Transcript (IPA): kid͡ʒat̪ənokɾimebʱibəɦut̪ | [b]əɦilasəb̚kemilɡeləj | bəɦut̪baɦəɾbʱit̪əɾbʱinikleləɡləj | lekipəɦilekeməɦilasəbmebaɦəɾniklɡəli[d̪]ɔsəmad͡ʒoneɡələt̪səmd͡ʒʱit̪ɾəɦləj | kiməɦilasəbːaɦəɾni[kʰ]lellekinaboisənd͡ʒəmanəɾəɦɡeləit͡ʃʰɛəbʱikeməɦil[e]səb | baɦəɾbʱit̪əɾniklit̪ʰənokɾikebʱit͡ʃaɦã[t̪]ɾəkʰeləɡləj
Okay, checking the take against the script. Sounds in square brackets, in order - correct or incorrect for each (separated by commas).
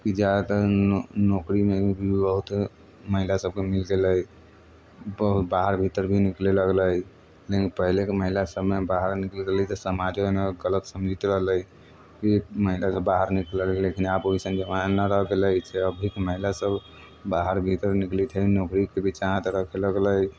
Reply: incorrect, incorrect, incorrect, incorrect, correct